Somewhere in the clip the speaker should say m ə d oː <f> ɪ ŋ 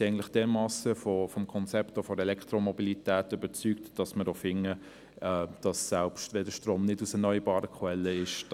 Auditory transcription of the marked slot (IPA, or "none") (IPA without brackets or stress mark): f